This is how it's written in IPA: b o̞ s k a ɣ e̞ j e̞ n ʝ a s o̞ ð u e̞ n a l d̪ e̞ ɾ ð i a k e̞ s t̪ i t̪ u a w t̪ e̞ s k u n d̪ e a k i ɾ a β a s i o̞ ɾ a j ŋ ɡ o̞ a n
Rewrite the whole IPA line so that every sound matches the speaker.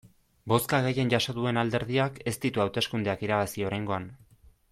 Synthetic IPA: b o̞ s k a ɣ e̞ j e̞ n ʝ a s o̞ ð u e̞ n a l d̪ e̞ ɾ ð i a k e̞ s t̪ i t̪ u a w t̪ e̞ s k u n d̪ e a k i ɾ a β a s i o̞ ɾ a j ŋ ɡ o̞ a n